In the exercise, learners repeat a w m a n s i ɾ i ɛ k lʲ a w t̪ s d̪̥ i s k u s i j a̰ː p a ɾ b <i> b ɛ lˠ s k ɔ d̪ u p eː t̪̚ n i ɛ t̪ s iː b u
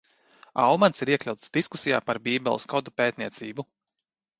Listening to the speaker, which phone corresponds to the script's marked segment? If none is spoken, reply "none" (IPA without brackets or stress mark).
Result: iː